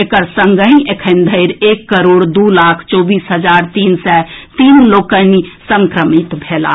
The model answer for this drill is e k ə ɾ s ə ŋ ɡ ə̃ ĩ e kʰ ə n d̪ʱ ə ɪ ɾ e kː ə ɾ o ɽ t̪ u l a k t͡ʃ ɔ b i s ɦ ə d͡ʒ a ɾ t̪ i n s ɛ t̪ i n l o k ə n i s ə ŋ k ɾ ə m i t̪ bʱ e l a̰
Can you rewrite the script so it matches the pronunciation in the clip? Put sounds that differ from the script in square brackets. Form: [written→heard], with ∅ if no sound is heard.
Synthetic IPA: e k ə ɾ s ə ŋ ɡ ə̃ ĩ e kʰ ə n d̪ʱ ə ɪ ɾ e kː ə ɾ o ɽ [t̪→d̪] u l a [k→kʰ] t͡ʃ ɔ b i s ɦ ə d͡ʒ a ɾ t̪ i n s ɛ t̪ i n l o k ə n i s ə ŋ k ɾ ə m i t̪ bʱ e l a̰